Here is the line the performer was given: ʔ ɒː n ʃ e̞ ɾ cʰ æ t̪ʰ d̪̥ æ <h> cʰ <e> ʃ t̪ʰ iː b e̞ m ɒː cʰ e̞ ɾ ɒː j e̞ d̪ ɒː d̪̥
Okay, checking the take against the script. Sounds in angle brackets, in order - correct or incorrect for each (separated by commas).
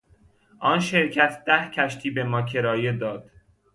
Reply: correct, incorrect